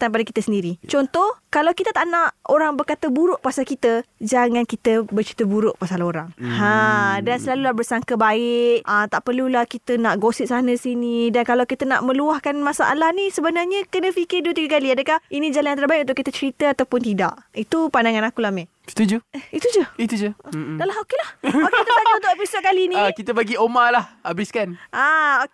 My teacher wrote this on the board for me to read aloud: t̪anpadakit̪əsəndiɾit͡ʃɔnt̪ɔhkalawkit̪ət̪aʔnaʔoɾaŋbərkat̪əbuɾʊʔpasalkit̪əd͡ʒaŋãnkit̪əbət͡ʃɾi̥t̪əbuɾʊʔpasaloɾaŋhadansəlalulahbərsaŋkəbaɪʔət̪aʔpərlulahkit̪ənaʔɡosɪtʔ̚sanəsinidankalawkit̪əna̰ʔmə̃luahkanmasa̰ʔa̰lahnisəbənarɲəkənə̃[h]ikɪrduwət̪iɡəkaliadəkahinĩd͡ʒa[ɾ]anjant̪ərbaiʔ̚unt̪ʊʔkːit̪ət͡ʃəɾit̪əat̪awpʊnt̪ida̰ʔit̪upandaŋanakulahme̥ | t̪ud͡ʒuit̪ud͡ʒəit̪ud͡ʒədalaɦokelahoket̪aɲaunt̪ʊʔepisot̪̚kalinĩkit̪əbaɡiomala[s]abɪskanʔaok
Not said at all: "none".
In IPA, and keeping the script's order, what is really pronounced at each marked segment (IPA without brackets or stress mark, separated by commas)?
f, l, h